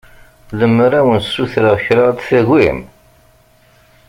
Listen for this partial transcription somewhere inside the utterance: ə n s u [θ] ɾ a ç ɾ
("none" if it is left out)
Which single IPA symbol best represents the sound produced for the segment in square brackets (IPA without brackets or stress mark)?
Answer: θ